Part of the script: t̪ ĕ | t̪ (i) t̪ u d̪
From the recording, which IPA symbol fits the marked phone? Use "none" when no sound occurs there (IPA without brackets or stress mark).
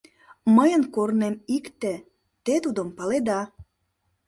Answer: e